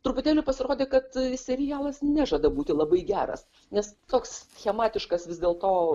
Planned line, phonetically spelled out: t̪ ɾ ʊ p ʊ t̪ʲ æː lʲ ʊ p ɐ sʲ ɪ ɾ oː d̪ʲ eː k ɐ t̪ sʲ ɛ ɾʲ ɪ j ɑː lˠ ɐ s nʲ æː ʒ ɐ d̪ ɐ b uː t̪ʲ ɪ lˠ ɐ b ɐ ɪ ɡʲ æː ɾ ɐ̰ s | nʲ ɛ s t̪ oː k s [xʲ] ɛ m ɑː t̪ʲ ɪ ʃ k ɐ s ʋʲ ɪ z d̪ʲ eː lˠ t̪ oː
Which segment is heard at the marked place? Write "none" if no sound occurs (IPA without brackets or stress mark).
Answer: xʲ